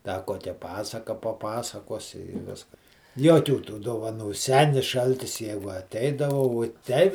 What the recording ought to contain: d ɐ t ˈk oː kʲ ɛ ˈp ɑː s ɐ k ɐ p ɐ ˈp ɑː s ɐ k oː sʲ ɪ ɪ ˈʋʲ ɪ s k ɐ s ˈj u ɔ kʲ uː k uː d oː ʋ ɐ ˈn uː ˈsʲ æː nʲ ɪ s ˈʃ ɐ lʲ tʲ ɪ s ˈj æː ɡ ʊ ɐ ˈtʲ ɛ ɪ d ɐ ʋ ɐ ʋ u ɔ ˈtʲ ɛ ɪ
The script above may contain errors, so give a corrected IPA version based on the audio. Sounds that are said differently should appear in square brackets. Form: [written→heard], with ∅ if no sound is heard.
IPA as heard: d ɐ [t→∅] ˈk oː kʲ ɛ ˈp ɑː s ɐ k ɐ p ɐ ˈp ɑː s ɐ k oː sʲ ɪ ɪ ˈʋʲ ɪ s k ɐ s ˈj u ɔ kʲ uː [k→t] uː d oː ʋ ɐ ˈn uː ˈsʲ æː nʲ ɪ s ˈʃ ɐ lʲ tʲ ɪ s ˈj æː ɡ ʊ ɐ ˈtʲ ɛ ɪ d ɐ ʋ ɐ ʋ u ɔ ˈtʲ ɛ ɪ